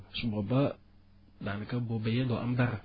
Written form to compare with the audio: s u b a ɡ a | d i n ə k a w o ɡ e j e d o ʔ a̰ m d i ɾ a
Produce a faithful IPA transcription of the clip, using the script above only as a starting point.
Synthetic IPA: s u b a b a | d a n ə k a b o b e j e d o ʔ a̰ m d a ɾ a

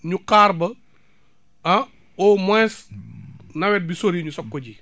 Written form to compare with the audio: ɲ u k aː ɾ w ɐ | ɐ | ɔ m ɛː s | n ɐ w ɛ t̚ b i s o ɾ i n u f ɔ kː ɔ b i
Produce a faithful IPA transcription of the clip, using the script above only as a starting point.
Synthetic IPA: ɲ u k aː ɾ b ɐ | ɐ | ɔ m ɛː s | n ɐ w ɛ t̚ b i s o ɾ i ɲ u s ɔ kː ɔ ɟ i

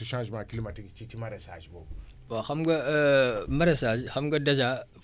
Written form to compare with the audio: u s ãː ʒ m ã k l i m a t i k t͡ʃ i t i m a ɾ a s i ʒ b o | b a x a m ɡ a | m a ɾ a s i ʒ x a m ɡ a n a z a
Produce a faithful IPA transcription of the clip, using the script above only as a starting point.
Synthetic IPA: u ʃ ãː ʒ m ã k l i m a t i k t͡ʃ i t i m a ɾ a s a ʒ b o | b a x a m ɡ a | m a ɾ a s a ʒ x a m ɡ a d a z a

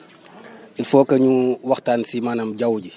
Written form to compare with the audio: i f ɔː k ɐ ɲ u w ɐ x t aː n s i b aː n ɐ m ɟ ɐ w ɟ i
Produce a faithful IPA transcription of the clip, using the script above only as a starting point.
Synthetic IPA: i f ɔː k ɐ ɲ u w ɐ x t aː n s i m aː n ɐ m ɟ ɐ w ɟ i

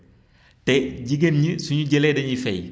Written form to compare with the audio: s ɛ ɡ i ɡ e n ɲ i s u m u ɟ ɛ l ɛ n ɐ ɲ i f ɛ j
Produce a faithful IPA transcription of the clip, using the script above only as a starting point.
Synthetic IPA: t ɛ ɟ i ɡ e n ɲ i s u ɲ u ɟ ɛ l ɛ d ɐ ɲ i f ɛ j

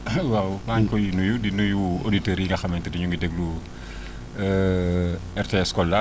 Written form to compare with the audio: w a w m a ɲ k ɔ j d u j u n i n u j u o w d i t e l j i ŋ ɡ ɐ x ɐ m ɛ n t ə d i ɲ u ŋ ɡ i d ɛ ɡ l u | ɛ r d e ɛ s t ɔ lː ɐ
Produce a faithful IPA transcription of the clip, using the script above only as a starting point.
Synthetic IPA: w a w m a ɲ k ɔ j n u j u d i n u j u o d i t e ɾ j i ŋ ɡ ɐ x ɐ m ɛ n t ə d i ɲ u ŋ ɡ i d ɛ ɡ l u | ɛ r t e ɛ s k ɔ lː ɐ

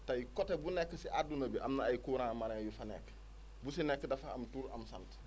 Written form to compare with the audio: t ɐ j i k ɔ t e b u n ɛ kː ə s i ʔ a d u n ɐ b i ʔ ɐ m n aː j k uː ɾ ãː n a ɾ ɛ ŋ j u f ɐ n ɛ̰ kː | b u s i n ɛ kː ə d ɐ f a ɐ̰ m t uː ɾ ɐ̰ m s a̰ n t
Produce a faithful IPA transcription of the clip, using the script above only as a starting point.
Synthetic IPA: t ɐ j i k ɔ t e b u n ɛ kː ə s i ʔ a d u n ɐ b i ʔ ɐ m n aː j k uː ɾ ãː m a ɾ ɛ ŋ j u f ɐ n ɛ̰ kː | b u s i n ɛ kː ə d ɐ f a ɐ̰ m t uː ɾ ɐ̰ m s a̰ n t

